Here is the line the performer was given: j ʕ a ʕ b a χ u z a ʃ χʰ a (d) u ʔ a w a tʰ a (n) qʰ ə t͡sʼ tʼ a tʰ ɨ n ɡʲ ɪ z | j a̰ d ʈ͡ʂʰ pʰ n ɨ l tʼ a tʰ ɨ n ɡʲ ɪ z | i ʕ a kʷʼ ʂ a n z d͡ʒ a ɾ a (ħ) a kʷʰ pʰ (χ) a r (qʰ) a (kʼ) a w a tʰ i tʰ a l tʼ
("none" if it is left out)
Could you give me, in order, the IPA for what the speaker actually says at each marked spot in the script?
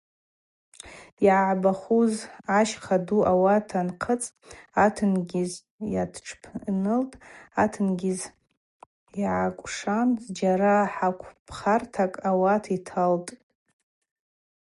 d, n, ħ, χ, tʰ, kʼ

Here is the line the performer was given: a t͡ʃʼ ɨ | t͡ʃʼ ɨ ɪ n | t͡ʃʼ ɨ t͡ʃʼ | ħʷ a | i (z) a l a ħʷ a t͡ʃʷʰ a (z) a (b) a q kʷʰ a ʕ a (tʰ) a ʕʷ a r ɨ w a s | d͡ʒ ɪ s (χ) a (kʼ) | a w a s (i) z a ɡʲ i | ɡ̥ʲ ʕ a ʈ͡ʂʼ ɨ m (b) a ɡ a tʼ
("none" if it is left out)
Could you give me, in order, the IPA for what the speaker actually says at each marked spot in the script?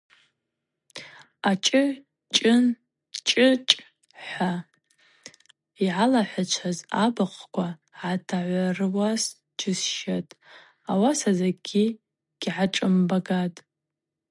ʕ, z, b, tʰ, ʃ, tʼ, a, b

